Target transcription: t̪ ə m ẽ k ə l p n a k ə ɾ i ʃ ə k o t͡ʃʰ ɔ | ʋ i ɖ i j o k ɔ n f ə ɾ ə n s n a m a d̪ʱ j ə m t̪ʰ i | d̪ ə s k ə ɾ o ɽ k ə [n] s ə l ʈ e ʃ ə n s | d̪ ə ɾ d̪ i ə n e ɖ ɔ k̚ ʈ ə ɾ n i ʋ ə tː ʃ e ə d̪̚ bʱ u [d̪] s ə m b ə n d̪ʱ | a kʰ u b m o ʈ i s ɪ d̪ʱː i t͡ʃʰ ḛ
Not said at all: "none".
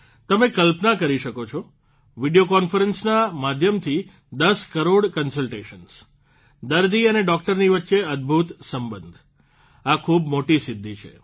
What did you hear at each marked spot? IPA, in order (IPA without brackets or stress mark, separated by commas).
n, t̪